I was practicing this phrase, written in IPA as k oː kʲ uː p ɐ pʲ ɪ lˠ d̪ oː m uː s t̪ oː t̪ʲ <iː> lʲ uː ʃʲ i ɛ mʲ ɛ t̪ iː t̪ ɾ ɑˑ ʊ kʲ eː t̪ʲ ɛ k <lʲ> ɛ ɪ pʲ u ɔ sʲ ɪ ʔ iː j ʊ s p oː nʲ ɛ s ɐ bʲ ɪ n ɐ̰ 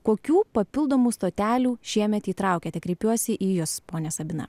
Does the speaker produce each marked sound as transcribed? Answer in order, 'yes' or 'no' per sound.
no, no

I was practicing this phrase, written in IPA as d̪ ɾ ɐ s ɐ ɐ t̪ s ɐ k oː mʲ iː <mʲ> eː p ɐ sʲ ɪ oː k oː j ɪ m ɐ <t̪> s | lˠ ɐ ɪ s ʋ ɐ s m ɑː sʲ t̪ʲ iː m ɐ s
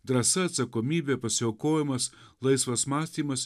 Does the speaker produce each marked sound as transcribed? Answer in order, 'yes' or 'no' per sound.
no, no

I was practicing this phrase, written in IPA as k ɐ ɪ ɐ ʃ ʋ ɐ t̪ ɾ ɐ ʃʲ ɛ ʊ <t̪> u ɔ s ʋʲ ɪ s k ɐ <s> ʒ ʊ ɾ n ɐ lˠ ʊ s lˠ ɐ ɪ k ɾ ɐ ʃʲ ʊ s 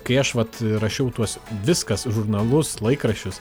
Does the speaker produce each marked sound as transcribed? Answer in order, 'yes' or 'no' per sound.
yes, yes

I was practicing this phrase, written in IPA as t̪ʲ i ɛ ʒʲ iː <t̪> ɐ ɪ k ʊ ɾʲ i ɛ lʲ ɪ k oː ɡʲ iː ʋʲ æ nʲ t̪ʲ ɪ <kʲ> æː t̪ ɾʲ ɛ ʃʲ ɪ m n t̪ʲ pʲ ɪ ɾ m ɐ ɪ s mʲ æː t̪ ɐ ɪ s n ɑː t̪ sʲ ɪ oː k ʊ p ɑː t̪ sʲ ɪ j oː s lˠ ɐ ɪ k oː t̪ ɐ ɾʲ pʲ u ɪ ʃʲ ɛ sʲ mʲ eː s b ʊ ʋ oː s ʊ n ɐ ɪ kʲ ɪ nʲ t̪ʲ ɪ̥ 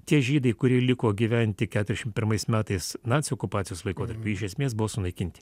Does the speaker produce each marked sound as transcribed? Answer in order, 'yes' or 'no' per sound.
no, yes

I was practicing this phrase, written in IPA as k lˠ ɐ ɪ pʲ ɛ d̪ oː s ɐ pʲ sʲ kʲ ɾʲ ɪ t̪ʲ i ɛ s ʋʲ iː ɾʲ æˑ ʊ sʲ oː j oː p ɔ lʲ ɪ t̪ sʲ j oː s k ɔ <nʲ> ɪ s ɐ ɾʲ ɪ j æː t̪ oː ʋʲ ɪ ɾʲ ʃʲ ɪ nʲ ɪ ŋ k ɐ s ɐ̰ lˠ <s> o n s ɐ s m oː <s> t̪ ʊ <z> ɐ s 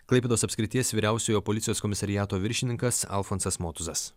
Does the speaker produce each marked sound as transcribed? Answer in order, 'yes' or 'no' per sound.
no, no, no, yes

